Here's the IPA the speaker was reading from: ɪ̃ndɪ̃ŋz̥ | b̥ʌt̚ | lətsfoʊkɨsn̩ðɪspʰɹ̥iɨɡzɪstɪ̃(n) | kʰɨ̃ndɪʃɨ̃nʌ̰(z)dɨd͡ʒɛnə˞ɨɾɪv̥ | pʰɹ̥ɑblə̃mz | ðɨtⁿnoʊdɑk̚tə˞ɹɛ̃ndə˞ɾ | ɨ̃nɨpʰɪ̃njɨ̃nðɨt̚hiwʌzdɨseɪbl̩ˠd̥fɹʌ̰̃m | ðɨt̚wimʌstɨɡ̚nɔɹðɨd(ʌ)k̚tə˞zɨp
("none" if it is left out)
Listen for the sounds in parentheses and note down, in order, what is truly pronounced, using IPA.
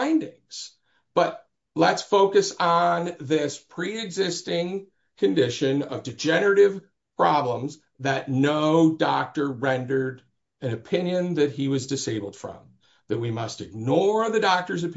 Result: ŋ, v, ɑ

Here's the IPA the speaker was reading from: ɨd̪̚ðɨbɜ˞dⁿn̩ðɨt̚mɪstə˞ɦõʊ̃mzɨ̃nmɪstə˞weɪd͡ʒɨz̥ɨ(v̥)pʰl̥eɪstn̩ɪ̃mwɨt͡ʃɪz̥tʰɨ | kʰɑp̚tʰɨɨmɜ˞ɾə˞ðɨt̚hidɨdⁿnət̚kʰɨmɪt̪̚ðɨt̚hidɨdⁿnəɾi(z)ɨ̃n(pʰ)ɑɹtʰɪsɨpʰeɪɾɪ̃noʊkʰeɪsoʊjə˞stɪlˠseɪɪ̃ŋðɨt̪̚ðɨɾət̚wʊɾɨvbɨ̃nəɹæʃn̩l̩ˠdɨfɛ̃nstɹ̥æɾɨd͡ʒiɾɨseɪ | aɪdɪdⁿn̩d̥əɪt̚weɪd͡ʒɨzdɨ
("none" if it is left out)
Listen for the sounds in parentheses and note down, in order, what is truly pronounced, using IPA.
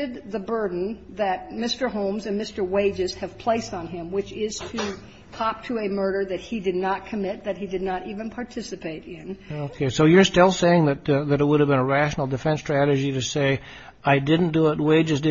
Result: v̥, v, pʰ

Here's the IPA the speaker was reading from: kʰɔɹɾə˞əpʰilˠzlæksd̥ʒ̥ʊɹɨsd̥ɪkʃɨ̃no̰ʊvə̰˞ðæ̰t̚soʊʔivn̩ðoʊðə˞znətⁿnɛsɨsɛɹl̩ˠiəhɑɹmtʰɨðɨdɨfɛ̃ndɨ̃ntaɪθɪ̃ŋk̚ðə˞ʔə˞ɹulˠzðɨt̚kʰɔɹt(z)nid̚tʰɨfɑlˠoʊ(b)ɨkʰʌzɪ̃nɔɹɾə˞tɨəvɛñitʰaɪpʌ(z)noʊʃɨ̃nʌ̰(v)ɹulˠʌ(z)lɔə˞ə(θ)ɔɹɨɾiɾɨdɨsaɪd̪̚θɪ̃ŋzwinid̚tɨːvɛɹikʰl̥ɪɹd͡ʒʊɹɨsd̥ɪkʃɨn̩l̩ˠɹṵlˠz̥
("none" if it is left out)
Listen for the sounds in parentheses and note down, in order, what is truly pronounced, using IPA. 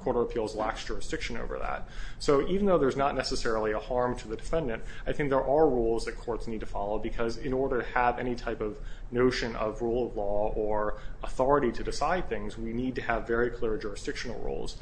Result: s, b, v, v, v, θ

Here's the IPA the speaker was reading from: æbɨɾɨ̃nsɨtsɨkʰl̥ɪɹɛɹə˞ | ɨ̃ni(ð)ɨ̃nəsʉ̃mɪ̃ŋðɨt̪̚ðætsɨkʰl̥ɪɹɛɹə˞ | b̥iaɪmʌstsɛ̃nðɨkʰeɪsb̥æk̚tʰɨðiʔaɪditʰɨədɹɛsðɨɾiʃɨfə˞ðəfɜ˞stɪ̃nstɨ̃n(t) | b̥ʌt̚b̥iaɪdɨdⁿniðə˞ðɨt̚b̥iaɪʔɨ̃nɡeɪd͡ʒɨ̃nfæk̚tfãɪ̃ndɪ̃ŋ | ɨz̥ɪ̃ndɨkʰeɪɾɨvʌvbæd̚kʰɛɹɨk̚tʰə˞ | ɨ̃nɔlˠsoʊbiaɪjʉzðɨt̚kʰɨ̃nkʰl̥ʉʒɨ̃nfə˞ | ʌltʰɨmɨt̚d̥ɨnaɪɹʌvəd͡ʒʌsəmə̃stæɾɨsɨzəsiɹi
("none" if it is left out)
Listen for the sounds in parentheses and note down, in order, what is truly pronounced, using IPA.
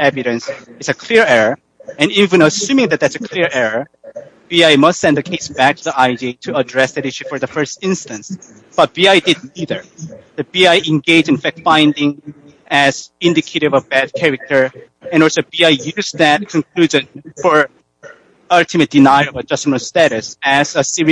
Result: v, s

